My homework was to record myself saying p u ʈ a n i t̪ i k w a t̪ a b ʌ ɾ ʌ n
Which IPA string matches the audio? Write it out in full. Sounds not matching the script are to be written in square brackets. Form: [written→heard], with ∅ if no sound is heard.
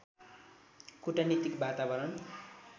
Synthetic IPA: [p→k] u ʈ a n i t̪ i k [w→b] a t̪ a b ʌ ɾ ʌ n

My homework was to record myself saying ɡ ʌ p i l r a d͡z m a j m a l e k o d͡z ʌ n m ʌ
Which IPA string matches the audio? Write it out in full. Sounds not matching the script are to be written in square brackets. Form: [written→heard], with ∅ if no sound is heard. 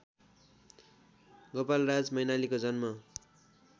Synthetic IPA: ɡ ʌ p [i→a] l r a d͡z m [a→ʌ] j [m→n] a l [e→i] k o d͡z ʌ n m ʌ

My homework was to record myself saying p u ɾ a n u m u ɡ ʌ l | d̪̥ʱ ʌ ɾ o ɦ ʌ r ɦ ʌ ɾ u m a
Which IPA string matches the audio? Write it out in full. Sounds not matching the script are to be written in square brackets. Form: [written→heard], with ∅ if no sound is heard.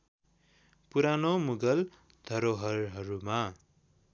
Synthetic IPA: p u ɾ a n [u→o] m u ɡ ʌ l | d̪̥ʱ ʌ ɾ o ɦ ʌ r ɦ ʌ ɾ u m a

